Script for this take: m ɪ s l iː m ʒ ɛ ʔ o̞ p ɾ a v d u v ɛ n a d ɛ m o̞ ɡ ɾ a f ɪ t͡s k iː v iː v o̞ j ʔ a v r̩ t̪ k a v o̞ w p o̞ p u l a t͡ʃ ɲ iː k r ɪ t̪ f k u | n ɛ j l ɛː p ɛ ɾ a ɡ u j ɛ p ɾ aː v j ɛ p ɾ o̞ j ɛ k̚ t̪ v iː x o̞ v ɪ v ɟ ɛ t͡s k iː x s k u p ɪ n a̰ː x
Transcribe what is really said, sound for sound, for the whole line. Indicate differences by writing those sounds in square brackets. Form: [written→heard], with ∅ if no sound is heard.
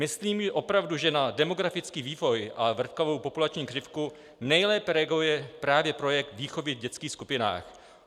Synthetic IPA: m ɪ s l iː m ʒ ɛ ʔ o̞ p ɾ a v d u [v→ʒ] ɛ n a d ɛ m o̞ ɡ ɾ a f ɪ t͡s k iː v iː v o̞ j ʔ a v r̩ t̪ k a v o̞ w p o̞ p u l a t͡ʃ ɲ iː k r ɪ [t̪→∅] f k u | n ɛ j l ɛː p ɛ ɾ [a→ɛ] ɡ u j ɛ p ɾ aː v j ɛ p ɾ o̞ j ɛ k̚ t̪ v iː x o̞ v ɪ v ɟ ɛ t͡s k iː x s k u p ɪ n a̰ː x